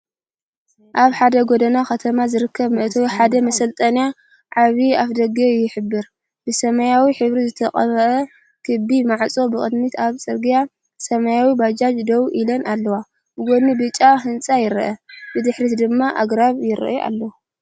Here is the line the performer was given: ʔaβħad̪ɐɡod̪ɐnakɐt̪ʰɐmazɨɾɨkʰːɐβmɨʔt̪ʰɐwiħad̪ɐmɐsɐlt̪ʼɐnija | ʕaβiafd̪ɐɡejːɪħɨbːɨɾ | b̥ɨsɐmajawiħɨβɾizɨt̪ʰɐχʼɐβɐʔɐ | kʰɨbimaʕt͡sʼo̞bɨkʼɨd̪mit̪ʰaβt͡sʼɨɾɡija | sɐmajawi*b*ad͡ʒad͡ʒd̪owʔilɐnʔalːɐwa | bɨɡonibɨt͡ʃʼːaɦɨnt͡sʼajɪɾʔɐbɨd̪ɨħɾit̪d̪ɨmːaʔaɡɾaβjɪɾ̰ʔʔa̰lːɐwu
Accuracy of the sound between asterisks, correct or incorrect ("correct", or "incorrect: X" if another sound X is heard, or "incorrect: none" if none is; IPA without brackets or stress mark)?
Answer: correct